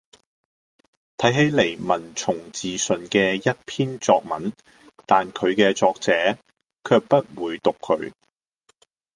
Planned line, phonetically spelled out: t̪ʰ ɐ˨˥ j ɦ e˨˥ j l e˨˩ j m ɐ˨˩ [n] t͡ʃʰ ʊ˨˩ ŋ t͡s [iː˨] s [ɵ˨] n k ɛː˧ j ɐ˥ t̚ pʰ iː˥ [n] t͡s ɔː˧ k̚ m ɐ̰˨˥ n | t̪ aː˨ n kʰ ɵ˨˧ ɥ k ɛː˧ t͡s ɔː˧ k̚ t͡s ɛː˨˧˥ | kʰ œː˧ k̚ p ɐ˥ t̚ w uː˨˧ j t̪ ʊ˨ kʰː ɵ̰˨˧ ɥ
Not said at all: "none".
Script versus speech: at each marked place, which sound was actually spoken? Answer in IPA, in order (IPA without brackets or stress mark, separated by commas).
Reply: n, iː˨, ɵ˨, n